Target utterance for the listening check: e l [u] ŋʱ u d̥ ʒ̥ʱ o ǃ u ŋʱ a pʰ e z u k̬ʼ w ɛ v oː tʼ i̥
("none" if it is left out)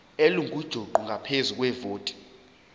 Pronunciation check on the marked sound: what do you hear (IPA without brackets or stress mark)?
u